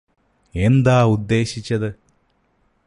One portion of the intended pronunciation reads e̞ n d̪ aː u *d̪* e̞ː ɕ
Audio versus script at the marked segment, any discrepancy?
yes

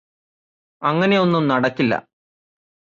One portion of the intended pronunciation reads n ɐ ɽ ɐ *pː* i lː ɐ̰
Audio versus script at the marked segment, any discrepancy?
yes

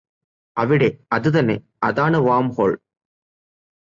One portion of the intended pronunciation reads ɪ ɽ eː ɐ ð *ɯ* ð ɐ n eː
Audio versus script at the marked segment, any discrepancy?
no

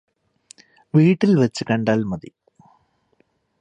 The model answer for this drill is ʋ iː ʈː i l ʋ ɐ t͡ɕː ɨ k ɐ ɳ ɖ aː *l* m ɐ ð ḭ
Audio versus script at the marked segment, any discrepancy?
no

